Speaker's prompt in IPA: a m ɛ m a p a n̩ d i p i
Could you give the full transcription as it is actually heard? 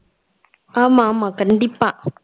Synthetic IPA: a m a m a k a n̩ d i p a